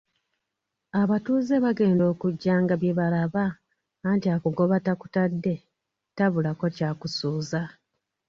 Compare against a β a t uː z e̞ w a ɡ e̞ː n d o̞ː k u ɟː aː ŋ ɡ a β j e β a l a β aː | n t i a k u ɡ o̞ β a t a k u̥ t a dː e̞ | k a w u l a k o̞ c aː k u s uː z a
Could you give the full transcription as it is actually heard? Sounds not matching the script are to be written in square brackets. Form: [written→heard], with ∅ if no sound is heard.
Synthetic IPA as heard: a β a t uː z e̞ [w→β] a ɡ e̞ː n d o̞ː k u ɟː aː ŋ ɡ a β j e β a l a β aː | n t i a k u ɡ o̞ β a t a k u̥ t a dː e̞ | [k→t] a [w→β] u l a k o̞ c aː k u s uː z a